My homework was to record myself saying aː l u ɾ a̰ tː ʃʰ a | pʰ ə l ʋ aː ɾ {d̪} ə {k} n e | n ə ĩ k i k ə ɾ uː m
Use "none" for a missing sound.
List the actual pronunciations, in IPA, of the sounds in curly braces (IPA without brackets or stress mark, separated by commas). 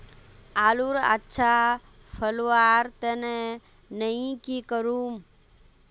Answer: t̪, none